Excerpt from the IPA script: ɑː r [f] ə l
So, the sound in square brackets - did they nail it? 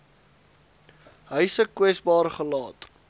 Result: no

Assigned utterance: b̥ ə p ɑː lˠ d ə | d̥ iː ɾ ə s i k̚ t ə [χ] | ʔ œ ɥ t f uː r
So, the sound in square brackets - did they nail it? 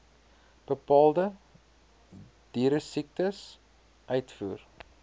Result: no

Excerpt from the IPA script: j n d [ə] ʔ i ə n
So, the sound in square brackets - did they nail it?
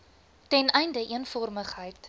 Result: yes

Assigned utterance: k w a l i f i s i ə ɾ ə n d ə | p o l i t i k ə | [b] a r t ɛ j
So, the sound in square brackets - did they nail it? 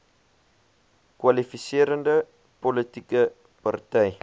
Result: no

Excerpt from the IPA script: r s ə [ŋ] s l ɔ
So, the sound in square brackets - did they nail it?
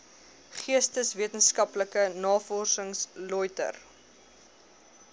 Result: yes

